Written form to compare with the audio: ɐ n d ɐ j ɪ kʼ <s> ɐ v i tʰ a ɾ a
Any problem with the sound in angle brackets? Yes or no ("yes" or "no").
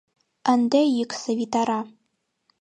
no